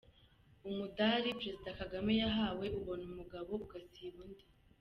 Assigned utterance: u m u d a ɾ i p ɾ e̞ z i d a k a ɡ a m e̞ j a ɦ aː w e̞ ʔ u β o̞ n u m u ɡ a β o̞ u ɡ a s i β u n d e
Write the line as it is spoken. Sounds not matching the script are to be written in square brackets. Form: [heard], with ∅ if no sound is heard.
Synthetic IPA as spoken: u m u d a ɾ i p ɾ e̞ z i d a k a ɡ a m e̞ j a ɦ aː w e̞ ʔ u β o̞ n u m u ɡ a β o̞ u ɡ a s i β u n d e